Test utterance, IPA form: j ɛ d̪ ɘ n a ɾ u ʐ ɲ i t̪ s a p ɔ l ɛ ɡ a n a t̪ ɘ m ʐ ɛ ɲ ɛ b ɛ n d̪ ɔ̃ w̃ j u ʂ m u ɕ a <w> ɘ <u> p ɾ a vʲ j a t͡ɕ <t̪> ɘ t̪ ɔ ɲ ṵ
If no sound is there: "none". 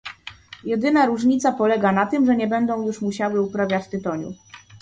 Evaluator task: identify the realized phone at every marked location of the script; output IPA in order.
w, u, t̪

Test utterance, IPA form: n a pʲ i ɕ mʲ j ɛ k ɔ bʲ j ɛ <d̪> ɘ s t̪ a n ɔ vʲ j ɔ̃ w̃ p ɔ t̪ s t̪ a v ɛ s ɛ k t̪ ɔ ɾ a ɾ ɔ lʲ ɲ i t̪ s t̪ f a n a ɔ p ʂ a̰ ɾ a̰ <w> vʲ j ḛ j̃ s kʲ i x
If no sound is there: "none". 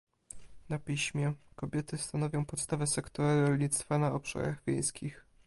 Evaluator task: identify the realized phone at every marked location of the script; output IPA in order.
t̪, ɣ

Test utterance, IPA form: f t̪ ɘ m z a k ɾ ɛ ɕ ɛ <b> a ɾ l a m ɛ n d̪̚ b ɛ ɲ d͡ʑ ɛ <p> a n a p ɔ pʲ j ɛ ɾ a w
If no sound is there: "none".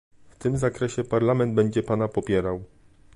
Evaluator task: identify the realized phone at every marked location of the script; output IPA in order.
p, p

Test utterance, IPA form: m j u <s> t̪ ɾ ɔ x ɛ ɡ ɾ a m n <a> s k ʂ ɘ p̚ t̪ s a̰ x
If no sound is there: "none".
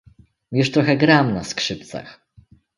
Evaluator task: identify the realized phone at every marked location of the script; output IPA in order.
ʂ, a

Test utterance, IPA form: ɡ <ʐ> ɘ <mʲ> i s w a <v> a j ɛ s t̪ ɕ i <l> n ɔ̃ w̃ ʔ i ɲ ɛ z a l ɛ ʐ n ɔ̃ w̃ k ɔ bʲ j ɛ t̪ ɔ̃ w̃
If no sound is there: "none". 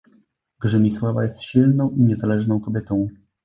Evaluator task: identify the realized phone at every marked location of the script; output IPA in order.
ʐ, mʲ, v, l

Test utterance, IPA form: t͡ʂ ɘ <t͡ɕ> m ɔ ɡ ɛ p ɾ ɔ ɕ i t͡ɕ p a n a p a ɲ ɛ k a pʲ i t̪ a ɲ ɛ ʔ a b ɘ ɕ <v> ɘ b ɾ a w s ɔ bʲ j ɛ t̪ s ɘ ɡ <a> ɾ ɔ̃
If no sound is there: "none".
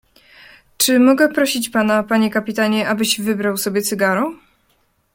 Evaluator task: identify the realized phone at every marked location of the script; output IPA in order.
none, v, a

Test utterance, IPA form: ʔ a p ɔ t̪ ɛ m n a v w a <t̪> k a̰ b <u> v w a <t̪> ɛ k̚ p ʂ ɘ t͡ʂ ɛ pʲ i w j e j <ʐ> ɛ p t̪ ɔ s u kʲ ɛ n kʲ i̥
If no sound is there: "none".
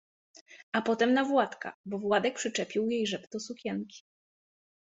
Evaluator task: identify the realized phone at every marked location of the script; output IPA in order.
t̪, ɔ, d̪, ʐ

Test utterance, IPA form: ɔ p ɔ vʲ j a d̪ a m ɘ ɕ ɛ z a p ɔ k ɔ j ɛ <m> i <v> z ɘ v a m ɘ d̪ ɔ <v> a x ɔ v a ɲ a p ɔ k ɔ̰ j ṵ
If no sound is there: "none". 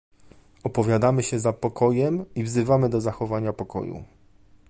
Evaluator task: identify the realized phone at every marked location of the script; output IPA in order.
m, v, z

